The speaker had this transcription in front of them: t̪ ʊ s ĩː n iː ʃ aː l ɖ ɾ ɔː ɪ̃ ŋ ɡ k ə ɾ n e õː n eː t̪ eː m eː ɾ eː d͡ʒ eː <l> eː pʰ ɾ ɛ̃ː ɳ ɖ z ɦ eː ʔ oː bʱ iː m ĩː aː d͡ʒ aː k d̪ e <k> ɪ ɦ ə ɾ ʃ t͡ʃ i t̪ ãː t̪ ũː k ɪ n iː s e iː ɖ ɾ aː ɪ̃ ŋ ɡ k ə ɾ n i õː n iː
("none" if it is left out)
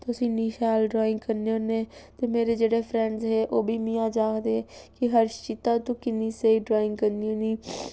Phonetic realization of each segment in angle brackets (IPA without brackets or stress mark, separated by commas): ɽ, k